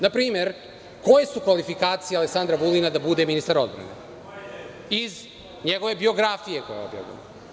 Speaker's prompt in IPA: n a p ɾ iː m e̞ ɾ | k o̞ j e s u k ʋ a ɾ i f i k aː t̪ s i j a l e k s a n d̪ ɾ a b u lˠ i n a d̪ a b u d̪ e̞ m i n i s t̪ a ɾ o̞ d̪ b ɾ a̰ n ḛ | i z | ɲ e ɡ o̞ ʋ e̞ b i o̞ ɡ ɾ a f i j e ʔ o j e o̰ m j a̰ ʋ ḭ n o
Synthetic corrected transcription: n a p ɾ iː m e̞ ɾ | k o̞ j e s u k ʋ a l i f i k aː t̪ s i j a l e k s a n d̪ ɾ a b u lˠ i n a d̪ a b u d̪ e̞ m i n i s t̪ a ɾ o̞ d̪ b ɾ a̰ n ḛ | i z | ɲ e ɡ o̞ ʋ e̞ b i o̞ ɡ ɾ a f i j e k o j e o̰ b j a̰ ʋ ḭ n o